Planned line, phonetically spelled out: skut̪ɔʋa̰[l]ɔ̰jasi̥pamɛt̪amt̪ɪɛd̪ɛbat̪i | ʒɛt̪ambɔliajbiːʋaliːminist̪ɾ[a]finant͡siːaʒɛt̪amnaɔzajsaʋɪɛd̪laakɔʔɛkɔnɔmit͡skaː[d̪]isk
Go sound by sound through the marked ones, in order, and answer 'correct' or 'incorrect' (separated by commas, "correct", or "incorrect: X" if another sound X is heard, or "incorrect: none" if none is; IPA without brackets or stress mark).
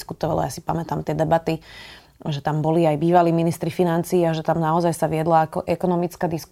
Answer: correct, incorrect: i, correct